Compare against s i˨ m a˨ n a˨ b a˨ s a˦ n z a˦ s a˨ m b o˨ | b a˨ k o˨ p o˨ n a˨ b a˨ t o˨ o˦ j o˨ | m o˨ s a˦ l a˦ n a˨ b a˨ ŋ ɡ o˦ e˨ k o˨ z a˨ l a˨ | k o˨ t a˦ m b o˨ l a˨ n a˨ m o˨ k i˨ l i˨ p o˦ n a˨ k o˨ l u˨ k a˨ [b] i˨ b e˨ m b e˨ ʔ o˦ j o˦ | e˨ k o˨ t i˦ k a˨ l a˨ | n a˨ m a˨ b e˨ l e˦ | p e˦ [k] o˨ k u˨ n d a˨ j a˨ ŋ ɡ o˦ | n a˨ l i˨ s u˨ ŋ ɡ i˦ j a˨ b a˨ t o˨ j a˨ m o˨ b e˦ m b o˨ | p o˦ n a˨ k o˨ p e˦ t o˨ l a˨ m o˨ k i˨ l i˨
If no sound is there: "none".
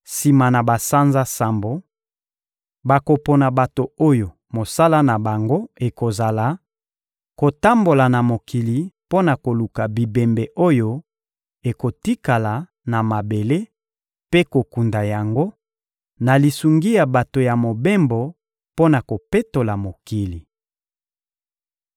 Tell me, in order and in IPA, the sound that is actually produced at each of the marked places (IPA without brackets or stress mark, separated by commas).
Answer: b, k